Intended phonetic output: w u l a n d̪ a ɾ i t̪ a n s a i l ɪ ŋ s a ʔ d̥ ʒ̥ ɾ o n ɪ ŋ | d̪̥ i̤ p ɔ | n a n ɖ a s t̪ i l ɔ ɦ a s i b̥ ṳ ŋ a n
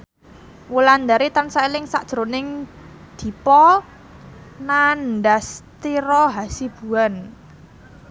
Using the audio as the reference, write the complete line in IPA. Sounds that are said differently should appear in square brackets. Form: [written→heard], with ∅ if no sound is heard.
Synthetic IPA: w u l a n d̪ a ɾ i t̪ a n s a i l ɪ ŋ s a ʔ d̥ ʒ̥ ɾ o n ɪ ŋ | d̪̥ i̤ p ɔ | n a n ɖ a s t̪ i [l→ɾ] ɔ ɦ a s i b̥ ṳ [ŋ→∅] a n